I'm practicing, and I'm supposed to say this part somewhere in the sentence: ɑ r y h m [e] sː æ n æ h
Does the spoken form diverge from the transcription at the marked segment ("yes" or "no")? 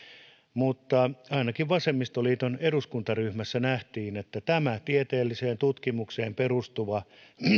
yes